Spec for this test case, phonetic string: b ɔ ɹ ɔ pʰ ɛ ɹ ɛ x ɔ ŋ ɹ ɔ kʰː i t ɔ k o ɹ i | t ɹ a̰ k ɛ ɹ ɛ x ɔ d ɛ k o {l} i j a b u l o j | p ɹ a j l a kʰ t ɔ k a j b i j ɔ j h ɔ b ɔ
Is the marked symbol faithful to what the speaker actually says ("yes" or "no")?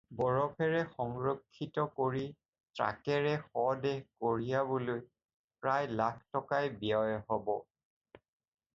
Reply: no